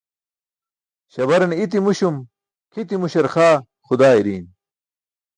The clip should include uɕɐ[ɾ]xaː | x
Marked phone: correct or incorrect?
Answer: correct